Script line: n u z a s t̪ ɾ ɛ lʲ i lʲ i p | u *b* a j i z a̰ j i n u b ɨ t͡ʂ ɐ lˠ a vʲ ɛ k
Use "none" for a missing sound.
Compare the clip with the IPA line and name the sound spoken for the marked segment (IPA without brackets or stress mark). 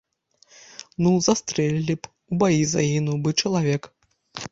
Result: b